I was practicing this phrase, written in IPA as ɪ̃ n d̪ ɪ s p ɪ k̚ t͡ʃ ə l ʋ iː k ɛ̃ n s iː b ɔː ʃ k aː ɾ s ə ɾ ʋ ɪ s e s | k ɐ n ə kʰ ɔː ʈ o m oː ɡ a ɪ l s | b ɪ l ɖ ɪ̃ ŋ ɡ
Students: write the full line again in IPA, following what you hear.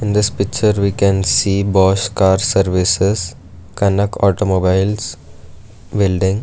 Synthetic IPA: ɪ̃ n d̪ ɪ s p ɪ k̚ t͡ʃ ə ɾ ʋ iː k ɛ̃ n s iː b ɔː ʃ k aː ɾ s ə ɾ ʋ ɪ s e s | k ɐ n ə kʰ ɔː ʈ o m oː b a ɪ l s | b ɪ l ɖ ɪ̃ ŋ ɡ